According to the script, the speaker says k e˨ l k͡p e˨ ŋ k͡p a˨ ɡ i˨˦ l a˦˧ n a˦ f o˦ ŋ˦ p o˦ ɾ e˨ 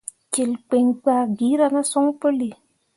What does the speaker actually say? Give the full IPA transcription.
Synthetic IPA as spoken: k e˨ l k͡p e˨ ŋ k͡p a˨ ɡ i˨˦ ɾ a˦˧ n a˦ s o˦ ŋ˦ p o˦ l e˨

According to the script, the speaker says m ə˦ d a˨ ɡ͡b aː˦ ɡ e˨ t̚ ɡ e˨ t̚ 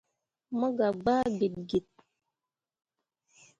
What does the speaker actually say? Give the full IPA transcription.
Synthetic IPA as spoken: m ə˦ ɡ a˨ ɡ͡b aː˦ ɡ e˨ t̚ ɡ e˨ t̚

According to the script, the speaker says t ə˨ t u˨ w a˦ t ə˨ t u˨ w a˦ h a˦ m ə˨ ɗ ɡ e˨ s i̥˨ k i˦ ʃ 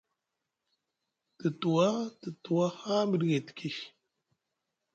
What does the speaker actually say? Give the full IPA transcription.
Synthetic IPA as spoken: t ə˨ t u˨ w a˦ t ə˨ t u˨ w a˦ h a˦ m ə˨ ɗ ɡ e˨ t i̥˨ k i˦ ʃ

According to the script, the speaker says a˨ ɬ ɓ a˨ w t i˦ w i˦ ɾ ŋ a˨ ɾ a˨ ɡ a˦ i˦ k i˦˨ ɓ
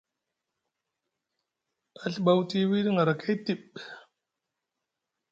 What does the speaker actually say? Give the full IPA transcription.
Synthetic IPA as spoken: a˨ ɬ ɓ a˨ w t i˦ w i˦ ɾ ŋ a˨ ɾ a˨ k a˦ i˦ t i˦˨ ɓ

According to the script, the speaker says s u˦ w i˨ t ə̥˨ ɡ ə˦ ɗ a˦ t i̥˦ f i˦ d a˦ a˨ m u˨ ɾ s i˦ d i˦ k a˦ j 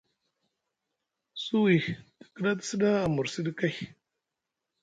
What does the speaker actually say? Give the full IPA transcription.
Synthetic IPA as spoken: s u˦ w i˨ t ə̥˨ k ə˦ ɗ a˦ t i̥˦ s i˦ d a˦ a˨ m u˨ ɾ s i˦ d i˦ k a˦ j

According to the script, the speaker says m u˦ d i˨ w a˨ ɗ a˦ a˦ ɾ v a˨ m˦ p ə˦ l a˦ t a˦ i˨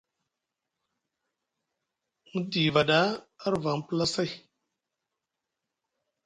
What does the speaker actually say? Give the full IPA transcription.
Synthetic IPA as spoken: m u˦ d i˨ v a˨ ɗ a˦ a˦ ɾ v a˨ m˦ p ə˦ l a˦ s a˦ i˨

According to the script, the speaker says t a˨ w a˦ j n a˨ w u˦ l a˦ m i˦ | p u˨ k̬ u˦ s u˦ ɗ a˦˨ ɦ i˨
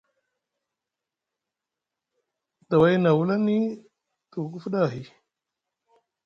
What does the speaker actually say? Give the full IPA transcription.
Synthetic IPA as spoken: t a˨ w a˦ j n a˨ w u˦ l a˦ n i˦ | t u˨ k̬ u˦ f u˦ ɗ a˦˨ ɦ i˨

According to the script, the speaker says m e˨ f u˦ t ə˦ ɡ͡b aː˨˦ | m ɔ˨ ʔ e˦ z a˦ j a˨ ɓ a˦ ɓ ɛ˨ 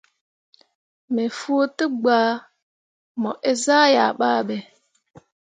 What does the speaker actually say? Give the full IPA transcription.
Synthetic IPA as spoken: m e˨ f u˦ t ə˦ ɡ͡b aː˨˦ | m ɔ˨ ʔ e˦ z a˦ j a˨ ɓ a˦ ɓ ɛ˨

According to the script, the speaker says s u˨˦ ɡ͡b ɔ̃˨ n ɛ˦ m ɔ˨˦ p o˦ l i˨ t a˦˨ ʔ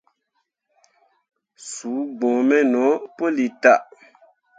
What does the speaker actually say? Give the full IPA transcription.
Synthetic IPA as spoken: s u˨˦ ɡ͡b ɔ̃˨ m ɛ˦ n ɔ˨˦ p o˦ l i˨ t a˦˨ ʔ

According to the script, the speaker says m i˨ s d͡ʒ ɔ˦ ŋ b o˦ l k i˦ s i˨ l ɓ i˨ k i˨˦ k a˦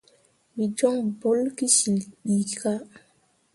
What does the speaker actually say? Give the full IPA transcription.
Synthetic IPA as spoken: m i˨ d͡ʒ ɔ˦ ŋ b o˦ l k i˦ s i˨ l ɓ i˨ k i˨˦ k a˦

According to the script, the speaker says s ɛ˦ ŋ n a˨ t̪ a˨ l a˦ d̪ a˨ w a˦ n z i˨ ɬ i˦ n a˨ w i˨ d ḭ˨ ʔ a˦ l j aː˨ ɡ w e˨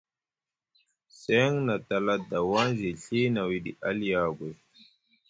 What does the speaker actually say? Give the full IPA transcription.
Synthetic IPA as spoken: s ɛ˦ ŋ n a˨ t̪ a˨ l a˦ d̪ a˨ w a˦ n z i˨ ɬ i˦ n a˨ w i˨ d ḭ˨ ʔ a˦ l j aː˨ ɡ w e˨

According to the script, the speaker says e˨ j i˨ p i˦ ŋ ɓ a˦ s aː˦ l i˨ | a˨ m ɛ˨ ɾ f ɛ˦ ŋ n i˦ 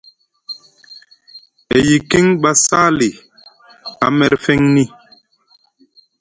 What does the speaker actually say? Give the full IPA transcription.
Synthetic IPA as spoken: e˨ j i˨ k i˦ ŋ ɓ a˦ s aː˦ l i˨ | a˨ m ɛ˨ ɾ f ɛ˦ ŋ n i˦

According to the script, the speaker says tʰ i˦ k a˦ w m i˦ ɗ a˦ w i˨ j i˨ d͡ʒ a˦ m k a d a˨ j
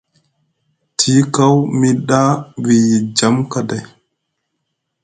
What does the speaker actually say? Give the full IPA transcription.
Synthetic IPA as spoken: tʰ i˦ k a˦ w m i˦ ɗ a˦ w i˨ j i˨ d͡ʒ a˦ m k a d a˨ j

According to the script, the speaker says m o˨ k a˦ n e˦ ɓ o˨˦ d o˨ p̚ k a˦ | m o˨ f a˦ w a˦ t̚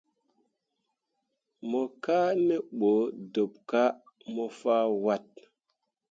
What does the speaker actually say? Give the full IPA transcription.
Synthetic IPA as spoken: m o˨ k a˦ n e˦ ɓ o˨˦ d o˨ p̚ k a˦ | m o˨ f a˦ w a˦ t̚

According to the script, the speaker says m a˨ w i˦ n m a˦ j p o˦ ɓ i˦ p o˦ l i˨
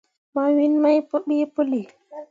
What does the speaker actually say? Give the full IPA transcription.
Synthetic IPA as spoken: m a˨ w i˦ n m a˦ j p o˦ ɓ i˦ p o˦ l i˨

